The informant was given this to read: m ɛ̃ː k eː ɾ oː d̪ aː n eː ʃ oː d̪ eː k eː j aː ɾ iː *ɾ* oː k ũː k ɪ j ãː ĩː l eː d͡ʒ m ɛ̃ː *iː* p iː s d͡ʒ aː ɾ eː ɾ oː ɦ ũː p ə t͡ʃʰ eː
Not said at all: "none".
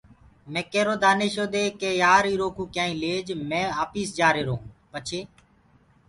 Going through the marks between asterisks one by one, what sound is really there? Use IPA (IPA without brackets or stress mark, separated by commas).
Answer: ɾ, aː